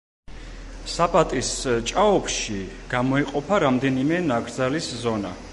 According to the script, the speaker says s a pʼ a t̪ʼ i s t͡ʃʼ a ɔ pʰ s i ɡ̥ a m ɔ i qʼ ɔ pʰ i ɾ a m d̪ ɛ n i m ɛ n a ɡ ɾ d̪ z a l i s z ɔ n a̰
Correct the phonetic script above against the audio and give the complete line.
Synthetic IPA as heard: s a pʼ a t̪ʼ i s t͡ʃʼ a ɔ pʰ ʃ i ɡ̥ a m ɔ i qʼ ɔ pʰ a ɾ a m d̪ ɛ n i m ɛ n a ɡ ɾ d̪ z a l i s z ɔ n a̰